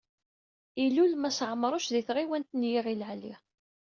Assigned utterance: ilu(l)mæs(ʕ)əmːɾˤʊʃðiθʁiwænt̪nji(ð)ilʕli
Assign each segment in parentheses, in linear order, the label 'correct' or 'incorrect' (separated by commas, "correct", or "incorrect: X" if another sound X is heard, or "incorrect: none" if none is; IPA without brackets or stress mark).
correct, correct, incorrect: ʁ